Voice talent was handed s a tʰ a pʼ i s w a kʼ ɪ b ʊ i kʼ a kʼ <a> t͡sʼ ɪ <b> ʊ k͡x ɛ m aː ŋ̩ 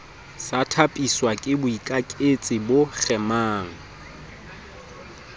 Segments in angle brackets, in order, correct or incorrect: incorrect, correct

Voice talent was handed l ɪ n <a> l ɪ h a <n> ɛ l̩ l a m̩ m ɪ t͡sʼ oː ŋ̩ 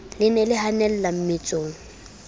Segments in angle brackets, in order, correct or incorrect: incorrect, correct

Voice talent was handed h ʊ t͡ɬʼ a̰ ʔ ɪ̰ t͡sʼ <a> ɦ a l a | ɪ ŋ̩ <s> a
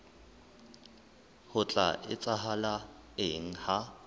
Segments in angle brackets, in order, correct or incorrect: correct, incorrect

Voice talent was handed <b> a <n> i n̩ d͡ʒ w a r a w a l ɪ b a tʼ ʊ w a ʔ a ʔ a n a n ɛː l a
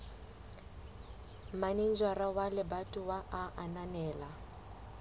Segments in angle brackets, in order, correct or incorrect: incorrect, correct

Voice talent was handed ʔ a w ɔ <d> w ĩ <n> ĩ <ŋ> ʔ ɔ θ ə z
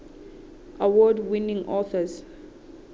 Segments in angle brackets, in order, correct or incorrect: correct, correct, correct

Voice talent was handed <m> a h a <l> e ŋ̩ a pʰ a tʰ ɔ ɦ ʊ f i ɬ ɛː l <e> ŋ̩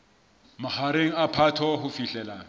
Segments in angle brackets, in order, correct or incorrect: correct, incorrect, incorrect

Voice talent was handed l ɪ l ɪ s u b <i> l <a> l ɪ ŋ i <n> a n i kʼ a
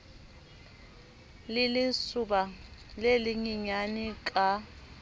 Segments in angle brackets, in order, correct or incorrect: incorrect, incorrect, incorrect

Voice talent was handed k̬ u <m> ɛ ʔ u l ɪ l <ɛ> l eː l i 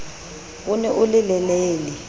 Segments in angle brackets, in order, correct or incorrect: incorrect, correct

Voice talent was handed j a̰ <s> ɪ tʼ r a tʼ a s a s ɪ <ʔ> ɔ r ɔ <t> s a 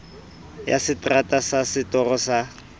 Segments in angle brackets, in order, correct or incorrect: correct, incorrect, incorrect

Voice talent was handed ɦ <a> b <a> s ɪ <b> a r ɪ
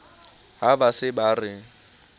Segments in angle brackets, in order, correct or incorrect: correct, correct, correct

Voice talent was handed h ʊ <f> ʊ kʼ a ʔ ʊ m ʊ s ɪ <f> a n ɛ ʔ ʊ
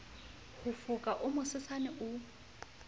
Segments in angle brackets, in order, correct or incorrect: correct, incorrect

